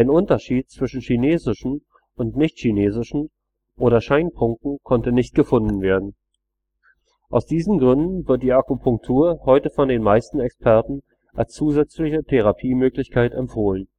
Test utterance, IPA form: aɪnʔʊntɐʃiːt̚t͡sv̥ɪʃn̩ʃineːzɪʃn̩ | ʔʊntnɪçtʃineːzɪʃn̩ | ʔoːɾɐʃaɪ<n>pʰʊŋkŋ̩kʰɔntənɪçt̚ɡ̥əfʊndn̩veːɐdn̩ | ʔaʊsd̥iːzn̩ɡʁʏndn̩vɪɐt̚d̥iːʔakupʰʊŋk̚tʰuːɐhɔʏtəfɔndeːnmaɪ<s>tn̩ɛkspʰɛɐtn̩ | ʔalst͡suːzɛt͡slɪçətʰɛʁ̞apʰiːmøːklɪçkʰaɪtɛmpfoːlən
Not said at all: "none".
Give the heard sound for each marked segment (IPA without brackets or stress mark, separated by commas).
n, s